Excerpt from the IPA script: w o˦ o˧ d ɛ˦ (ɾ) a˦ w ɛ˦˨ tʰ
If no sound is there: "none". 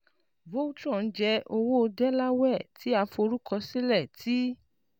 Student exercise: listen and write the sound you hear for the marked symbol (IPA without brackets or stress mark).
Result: l